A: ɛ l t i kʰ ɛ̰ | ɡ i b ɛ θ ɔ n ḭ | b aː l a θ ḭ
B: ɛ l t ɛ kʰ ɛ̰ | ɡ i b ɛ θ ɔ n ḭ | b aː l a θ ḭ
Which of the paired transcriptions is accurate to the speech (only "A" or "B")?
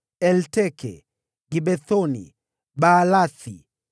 B